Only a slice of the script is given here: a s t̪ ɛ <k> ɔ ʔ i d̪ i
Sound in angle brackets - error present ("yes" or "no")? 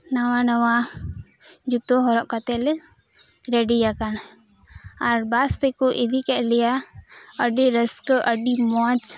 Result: no